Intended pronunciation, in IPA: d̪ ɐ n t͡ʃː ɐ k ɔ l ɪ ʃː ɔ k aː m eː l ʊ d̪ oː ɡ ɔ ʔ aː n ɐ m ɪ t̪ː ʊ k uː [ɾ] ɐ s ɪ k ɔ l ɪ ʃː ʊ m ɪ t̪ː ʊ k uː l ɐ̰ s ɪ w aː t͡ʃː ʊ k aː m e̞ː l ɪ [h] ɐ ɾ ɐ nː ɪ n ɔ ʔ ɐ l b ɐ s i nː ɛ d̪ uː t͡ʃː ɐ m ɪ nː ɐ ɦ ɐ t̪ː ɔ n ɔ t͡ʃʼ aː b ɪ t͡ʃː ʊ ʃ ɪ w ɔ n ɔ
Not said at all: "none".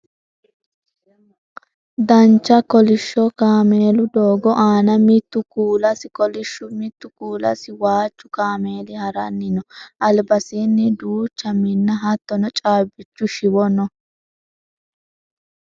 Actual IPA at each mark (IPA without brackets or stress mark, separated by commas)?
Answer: l, h